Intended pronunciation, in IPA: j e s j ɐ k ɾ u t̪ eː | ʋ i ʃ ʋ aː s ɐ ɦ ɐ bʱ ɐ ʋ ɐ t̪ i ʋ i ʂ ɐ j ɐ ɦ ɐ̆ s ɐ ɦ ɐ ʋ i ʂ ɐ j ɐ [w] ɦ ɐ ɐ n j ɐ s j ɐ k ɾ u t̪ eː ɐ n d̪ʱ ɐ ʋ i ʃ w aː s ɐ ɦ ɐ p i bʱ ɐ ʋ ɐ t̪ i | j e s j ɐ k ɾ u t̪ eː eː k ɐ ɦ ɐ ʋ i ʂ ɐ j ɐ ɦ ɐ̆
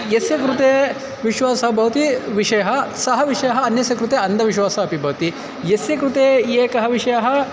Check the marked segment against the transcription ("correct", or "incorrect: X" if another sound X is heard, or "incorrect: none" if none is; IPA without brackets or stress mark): incorrect: none